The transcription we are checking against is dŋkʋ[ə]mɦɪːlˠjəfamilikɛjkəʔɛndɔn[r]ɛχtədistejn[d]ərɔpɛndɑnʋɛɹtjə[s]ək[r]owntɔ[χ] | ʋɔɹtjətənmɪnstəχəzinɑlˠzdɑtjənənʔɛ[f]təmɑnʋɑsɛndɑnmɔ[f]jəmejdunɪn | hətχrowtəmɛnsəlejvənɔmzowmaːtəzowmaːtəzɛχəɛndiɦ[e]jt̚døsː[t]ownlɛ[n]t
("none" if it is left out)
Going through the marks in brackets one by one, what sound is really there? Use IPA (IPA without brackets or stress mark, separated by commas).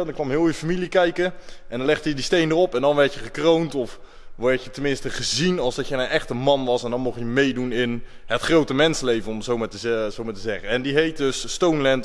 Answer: ɑ, l, d, χ, r, f, χ, χ, e, t, n